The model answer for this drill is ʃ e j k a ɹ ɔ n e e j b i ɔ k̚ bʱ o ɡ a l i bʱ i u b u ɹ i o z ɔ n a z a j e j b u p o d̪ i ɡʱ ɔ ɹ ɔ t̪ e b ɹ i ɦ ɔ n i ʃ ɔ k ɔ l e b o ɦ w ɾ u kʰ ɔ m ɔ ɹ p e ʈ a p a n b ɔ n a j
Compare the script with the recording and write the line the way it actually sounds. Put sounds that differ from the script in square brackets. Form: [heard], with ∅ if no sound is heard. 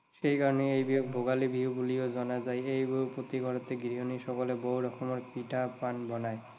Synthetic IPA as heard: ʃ e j k a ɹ ɔ n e e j b i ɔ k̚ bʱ o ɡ a l i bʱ i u b u [l] i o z ɔ n a z a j e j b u p o [t̪] i ɡʱ ɔ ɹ ɔ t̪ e [ɡ] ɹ i ɦ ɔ n i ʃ ɔ k ɔ l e b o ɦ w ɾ [ɔ] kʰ ɔ m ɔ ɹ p [i] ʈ a p a n b ɔ n a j